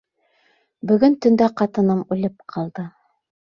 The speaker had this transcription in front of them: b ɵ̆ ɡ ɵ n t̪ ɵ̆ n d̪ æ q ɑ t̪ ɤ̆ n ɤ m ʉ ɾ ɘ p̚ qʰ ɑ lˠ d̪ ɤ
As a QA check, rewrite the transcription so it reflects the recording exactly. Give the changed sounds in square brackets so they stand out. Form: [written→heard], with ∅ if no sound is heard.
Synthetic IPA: b ɵ̆ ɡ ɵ n t̪ ɵ̆ n d̪ æ q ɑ t̪ ɤ̆ n ɤ m ʉ [ɾ→l] ɘ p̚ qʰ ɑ lˠ d̪ ɤ